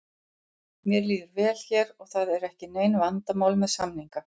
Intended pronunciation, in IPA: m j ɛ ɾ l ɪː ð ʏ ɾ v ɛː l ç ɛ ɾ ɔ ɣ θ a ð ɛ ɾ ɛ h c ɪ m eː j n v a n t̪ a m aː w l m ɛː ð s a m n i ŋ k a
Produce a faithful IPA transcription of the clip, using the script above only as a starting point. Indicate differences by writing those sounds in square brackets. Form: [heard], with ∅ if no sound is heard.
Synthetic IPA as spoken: m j ɛ ɾ l [iː] ð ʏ ɾ v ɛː l ç ɛ ɾ ɔ ɣ θ a ð ɛ ɾ ɛ h c ɪ [n] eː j n v a n t̪ a m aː w l m [ɛ] ð s a m n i ŋ k a